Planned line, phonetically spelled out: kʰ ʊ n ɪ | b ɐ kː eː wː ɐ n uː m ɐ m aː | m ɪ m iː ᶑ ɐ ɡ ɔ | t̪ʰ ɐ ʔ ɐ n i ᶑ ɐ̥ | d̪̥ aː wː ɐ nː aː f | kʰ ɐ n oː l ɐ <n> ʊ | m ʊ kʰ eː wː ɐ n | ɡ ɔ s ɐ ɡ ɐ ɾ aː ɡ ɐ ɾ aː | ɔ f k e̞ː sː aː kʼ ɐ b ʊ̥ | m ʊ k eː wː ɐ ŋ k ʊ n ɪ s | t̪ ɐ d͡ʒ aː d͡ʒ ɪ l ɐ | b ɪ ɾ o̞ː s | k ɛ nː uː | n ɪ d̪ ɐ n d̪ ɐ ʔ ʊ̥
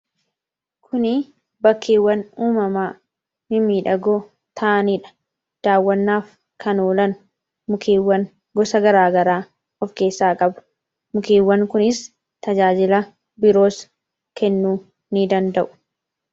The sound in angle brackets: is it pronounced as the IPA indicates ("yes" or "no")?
yes